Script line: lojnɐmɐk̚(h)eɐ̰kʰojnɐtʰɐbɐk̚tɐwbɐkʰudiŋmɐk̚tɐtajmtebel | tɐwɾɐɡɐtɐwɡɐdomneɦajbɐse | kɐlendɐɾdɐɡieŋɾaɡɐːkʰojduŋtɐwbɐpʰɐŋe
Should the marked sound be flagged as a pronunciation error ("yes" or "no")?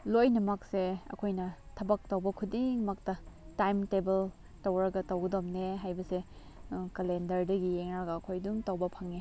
yes